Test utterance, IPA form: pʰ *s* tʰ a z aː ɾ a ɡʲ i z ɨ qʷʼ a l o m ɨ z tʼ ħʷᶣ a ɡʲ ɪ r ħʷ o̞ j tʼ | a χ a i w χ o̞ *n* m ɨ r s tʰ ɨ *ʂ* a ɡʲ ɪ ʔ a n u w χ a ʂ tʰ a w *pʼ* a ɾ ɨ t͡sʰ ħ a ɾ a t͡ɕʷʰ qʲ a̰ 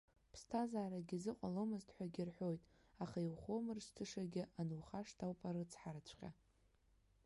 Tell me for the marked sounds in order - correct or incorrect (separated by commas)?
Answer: correct, incorrect, correct, correct